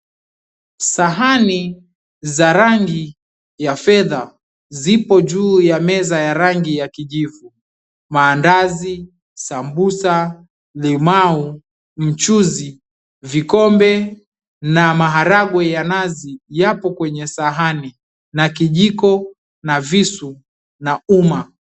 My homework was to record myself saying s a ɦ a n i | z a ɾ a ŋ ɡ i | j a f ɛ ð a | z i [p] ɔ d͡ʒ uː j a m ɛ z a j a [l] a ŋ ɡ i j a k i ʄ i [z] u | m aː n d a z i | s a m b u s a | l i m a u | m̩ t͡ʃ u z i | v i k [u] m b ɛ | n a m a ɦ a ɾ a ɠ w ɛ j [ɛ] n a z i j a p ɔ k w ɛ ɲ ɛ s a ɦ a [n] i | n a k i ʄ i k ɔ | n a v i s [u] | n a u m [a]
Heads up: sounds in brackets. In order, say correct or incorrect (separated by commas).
correct, incorrect, incorrect, incorrect, incorrect, correct, correct, correct